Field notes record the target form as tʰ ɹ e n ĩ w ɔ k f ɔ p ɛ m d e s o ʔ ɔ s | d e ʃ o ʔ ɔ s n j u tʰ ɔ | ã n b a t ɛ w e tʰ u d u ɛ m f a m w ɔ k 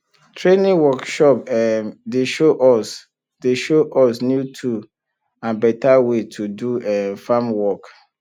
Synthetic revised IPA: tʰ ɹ e n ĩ w ɔ k ʃ ɔ p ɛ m d e ʃ o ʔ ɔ s | d e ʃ o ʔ ɔ s n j u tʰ u | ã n b ɛ t a w e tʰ u d u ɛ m f a m w ɔ k